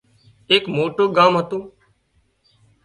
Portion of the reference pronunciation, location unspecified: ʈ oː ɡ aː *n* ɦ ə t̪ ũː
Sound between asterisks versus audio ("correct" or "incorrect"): incorrect